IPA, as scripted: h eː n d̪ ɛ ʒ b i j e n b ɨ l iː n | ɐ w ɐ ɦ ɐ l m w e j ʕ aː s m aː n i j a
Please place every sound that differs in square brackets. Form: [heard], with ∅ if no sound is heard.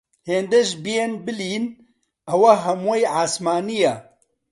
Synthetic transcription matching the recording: h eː n d̪ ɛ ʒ b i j e n b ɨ l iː n | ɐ w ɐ ɦ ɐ [∅] m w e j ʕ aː s m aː n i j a

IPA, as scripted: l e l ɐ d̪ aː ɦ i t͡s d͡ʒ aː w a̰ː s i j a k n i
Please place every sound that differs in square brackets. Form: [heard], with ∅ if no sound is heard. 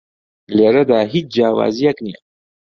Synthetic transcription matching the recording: l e [ɾ] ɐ d̪ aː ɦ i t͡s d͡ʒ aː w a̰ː [z] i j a k n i

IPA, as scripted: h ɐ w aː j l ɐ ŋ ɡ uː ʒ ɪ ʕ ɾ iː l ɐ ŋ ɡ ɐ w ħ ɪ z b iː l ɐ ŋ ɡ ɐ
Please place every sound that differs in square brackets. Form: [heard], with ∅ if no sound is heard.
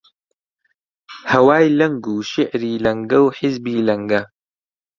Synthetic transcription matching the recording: h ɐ w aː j l ɐ ŋ ɡ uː [ʃ] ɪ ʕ ɾ iː l ɐ ŋ ɡ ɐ w ħ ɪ z b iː l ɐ ŋ ɡ ɐ

